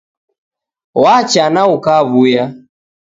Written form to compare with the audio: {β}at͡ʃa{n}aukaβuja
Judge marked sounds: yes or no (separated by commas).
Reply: no, yes